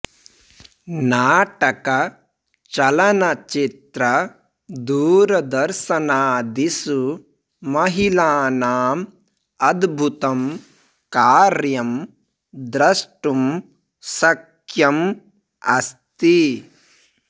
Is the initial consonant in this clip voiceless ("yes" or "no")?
no